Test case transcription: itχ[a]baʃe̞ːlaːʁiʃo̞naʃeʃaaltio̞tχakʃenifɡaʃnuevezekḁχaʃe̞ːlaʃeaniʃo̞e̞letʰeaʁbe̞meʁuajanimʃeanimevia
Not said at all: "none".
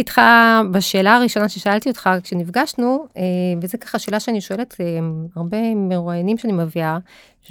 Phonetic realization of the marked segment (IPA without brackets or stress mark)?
a